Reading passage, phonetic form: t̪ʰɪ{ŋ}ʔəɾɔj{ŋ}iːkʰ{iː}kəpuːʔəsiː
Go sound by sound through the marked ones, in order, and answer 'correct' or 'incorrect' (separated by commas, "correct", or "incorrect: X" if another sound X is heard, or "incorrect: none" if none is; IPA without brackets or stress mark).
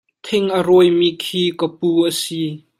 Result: correct, incorrect: m, correct